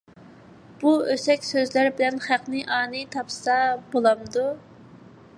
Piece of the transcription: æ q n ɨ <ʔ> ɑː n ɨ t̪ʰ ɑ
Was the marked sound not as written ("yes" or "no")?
no